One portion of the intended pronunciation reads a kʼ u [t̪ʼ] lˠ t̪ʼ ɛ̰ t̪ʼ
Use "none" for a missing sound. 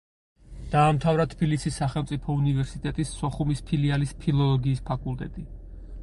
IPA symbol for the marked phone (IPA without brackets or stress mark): none